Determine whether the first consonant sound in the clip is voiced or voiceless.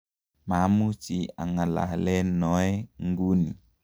voiced